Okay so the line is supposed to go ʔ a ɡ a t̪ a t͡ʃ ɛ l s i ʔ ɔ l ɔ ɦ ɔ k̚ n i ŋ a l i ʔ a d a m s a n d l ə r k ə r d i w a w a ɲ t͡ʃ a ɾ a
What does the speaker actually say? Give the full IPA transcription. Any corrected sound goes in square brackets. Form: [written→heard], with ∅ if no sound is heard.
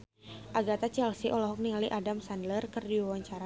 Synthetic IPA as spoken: ʔ a ɡ a t̪ a t͡ʃ ɛ l s i ʔ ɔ l ɔ ɦ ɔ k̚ n i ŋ a l i ʔ a d a m s a n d l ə r k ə r d i w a w a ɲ t͡ʃ a ɾ a